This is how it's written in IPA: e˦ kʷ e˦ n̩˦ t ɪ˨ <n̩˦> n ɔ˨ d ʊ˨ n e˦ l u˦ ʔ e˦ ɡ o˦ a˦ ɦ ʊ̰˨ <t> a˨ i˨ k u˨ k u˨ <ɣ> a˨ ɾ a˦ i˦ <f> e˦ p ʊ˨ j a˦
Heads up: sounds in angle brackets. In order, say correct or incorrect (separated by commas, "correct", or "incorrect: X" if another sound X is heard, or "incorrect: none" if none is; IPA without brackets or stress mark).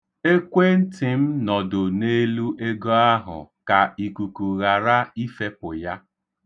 incorrect: m̩˦, incorrect: k, correct, correct